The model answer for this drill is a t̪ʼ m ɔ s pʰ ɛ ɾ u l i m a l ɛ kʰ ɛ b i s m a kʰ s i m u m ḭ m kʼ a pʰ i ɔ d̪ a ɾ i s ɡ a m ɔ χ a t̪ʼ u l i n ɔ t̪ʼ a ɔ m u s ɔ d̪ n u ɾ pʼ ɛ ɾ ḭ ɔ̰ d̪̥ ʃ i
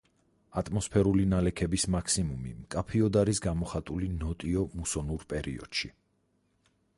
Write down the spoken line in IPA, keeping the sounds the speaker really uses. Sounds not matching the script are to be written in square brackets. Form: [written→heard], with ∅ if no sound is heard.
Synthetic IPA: a t̪ʼ m ɔ s pʰ ɛ ɾ u l i [m→n] a l ɛ kʰ ɛ b i s m a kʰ s i m u m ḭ m kʼ a pʰ i ɔ d̪ a ɾ i s ɡ a m ɔ χ a t̪ʼ u l i n ɔ t̪ʼ [a→i] ɔ m u s ɔ [d̪→∅] n u ɾ pʼ ɛ ɾ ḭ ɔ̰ d̪̥ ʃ i